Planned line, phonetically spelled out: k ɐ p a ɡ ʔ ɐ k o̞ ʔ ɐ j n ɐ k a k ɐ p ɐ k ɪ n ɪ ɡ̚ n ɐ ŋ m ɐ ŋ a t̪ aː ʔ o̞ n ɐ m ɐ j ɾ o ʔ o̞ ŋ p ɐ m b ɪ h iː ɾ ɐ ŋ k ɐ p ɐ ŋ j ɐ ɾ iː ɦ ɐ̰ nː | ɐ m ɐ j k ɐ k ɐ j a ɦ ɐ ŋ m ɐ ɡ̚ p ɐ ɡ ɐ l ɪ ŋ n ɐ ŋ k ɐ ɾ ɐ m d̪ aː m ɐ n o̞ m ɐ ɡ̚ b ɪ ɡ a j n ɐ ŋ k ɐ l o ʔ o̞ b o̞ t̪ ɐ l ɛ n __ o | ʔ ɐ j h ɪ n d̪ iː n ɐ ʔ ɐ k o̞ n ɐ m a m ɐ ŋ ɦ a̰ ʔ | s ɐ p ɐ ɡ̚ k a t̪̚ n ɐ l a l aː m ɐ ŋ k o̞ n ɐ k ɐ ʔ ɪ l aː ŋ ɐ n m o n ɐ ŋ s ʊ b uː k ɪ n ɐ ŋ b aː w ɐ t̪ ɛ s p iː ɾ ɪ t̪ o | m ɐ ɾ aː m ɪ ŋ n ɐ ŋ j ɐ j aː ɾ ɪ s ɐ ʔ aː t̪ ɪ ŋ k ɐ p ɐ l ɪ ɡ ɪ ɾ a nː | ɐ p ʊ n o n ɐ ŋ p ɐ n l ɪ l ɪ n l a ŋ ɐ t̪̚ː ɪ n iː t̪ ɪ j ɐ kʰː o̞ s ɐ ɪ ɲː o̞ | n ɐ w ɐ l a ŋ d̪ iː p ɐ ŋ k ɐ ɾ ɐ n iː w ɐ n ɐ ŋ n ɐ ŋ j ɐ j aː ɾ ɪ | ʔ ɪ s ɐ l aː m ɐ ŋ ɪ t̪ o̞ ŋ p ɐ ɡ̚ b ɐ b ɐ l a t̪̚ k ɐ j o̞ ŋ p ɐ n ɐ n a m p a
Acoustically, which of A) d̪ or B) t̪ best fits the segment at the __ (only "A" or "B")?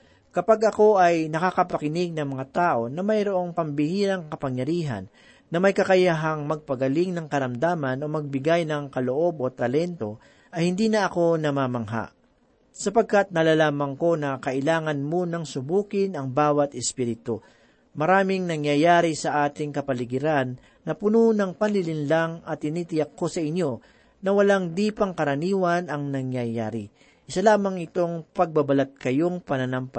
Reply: B